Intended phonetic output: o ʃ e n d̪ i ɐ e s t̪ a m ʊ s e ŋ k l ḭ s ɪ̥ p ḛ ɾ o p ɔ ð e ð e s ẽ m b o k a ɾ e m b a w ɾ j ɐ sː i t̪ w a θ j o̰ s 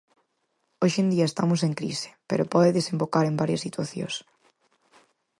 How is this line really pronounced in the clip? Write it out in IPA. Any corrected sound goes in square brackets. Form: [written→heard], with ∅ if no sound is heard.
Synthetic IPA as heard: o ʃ e n d̪ i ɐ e s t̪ a m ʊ s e ŋ k [l→ɾ] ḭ s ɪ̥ p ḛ ɾ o p ɔ ð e ð e s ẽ m b o k a ɾ e m b a [w→∅] ɾ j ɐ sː i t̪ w a θ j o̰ s